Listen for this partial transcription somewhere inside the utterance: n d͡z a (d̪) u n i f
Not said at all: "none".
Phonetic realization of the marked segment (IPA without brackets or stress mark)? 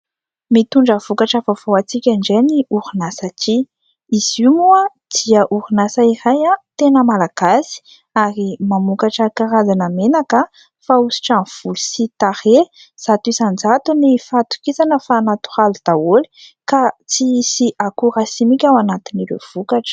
t̪